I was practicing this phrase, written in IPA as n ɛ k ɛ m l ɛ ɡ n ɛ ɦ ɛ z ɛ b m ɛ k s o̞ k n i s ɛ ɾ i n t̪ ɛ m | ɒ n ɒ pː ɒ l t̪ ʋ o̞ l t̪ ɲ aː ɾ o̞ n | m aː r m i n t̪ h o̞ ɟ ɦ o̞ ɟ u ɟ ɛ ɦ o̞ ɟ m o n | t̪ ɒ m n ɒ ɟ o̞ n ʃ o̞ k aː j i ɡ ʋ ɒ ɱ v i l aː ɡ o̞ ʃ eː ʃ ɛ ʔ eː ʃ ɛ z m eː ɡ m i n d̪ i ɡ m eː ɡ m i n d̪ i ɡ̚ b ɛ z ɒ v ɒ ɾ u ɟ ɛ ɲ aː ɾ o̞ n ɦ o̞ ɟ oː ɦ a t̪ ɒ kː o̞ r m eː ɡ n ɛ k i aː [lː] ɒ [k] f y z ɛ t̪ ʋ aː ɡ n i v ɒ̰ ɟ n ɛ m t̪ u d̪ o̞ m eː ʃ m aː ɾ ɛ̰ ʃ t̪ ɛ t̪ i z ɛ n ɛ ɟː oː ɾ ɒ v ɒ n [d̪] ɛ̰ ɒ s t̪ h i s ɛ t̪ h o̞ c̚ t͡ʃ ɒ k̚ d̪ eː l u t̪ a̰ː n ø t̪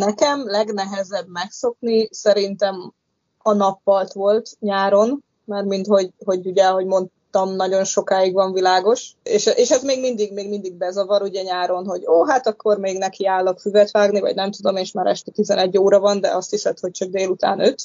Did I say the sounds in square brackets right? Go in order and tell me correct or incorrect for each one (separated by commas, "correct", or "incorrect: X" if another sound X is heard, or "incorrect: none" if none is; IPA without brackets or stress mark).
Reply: correct, correct, correct